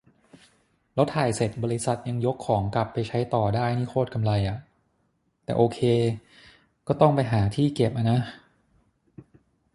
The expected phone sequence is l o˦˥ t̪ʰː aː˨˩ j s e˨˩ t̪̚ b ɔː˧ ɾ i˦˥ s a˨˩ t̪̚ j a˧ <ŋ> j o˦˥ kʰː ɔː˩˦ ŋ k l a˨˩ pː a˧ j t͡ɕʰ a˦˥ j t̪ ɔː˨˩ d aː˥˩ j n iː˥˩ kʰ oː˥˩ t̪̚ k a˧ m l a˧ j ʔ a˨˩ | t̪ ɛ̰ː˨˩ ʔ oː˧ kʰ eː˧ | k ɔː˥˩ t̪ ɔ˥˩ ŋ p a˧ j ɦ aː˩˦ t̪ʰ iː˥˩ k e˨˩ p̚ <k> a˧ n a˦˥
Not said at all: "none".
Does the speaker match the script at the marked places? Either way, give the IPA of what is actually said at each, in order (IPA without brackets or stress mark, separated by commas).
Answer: ŋ, ʔ